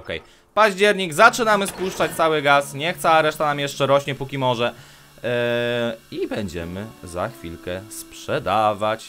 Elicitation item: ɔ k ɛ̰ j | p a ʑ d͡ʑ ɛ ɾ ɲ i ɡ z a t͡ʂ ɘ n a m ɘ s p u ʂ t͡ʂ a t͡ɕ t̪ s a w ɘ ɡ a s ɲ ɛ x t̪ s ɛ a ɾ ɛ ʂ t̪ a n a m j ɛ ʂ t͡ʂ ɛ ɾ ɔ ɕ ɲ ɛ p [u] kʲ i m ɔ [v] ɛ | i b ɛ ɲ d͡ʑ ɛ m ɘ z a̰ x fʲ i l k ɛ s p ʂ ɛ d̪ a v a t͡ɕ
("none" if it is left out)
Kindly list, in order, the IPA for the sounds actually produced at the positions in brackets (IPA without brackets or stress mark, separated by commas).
u, ʐ